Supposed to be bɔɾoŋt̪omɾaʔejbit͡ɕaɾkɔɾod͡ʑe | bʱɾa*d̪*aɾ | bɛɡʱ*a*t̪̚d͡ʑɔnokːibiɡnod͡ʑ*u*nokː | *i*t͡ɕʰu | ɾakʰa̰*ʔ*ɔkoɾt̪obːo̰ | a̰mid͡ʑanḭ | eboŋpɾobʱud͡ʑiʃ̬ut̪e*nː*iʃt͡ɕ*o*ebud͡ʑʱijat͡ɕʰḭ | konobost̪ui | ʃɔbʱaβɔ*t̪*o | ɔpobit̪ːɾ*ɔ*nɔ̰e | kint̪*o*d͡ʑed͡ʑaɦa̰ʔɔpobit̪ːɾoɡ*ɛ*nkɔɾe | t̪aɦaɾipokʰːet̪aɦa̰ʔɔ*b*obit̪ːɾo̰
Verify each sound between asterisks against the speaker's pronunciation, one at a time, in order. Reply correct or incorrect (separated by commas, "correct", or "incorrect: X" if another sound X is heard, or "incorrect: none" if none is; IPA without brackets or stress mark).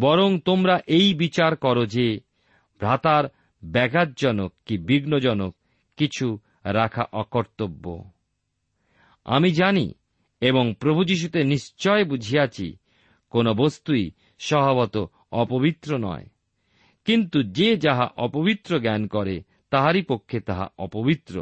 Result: incorrect: t̪, correct, incorrect: ɔ, correct, correct, incorrect: n, incorrect: ɔ, correct, incorrect: o, incorrect: u, correct, incorrect: p